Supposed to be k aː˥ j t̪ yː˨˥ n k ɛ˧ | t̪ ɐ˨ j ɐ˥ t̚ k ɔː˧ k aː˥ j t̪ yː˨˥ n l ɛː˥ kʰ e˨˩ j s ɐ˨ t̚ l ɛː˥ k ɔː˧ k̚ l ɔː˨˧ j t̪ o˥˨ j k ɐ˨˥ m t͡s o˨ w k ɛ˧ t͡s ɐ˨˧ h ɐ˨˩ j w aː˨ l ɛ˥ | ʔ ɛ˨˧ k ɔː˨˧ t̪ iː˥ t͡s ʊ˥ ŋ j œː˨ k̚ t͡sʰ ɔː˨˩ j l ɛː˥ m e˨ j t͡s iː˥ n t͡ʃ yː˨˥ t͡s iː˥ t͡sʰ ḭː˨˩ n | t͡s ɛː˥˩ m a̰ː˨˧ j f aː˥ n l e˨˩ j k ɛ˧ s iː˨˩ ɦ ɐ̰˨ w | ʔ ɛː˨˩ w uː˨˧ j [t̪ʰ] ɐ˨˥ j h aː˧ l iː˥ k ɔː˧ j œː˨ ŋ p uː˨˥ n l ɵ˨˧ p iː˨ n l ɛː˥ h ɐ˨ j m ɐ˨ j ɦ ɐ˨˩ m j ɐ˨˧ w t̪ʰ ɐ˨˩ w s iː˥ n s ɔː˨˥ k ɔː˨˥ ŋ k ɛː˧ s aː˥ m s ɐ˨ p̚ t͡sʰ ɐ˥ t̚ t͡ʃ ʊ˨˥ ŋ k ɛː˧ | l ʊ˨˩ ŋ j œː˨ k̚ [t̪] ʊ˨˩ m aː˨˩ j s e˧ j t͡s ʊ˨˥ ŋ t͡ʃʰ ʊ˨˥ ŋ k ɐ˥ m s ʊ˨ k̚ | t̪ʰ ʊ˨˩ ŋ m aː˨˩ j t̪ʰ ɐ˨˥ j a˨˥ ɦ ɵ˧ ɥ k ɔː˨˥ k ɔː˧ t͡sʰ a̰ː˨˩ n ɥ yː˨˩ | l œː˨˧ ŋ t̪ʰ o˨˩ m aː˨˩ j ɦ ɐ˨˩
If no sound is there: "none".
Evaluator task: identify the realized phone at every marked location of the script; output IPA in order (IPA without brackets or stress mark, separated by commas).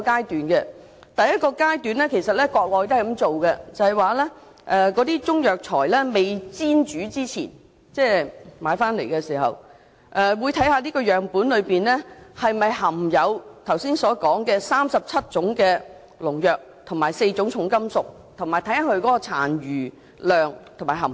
t̪ʰ, t̪ʰ